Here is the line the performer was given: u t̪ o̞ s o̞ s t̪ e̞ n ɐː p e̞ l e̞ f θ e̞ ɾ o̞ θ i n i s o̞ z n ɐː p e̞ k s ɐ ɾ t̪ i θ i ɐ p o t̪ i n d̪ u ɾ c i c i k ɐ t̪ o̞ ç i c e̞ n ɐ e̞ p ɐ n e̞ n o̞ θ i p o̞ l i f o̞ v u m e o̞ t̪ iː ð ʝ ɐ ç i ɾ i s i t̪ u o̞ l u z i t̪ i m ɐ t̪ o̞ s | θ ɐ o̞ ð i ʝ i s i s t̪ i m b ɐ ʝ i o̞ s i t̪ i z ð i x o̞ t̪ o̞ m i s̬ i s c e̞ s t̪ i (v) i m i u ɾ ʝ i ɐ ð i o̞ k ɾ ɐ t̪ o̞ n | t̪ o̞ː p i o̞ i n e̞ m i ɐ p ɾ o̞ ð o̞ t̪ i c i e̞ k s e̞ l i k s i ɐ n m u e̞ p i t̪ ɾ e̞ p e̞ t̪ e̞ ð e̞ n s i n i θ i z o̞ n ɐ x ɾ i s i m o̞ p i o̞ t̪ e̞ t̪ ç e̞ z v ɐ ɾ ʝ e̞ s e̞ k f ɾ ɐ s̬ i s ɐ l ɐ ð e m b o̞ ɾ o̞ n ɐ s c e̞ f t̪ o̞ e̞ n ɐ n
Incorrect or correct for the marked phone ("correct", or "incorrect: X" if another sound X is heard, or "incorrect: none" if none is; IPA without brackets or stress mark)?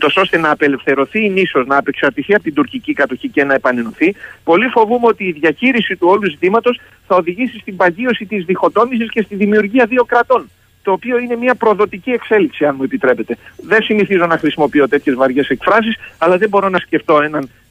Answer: incorrect: ð